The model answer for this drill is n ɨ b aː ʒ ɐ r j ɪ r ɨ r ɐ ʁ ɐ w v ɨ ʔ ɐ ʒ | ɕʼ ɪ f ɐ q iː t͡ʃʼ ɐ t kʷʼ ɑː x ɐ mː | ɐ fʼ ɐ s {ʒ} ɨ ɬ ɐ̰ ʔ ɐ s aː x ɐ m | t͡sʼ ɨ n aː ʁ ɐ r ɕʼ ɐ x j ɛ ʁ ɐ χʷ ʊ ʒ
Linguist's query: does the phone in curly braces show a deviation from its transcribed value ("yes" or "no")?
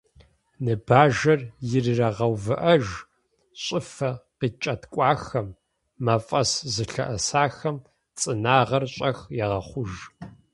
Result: yes